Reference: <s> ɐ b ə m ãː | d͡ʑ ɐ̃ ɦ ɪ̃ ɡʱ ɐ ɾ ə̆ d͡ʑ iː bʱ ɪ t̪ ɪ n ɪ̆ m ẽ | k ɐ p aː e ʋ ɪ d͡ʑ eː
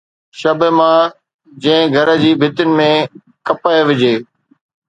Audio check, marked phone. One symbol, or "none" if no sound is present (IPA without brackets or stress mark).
ʃ